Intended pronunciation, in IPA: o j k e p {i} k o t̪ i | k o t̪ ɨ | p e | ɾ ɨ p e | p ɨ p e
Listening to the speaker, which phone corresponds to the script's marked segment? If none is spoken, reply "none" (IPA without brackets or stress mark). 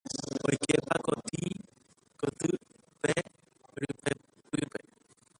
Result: a